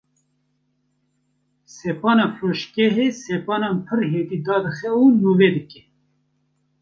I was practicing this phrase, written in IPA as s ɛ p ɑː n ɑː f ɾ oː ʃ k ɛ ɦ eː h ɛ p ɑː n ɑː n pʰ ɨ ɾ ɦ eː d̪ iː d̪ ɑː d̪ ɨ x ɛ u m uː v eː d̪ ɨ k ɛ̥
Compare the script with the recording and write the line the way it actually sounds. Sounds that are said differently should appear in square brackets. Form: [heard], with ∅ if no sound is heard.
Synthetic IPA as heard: s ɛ p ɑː n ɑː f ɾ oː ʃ k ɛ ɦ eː [s] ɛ p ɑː n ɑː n pʰ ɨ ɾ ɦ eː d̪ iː d̪ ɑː d̪ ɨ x ɛ u [n] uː v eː d̪ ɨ k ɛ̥